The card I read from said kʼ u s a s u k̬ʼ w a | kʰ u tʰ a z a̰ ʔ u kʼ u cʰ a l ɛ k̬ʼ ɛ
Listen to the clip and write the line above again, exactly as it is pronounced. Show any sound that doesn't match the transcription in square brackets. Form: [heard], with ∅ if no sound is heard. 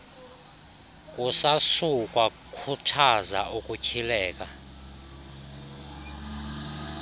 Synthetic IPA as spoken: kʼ u s a s u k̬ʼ w a | kʰ u tʰ a z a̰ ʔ u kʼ u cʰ [i] l [ɛː] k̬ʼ [a]